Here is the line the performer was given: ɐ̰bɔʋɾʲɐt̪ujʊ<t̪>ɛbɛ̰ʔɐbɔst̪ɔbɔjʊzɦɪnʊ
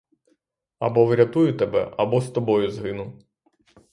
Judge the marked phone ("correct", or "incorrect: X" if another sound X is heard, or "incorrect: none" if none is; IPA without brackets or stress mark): correct